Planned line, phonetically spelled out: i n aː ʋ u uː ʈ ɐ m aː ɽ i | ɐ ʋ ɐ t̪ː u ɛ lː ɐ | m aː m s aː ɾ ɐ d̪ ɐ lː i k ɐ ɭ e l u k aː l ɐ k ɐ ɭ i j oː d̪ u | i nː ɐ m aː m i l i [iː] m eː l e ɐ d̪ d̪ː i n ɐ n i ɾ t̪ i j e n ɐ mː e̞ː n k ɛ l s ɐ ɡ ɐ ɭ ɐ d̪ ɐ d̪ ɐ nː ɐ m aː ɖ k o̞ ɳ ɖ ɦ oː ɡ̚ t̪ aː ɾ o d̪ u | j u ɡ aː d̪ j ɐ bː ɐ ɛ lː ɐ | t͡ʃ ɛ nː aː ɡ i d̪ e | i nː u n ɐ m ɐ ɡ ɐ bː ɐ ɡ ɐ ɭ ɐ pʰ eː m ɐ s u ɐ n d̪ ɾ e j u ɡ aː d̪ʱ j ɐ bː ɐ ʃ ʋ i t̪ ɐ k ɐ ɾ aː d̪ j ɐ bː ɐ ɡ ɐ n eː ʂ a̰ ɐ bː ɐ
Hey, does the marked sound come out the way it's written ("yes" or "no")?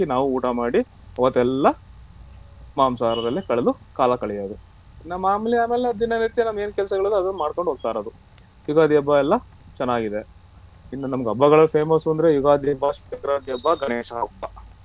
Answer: no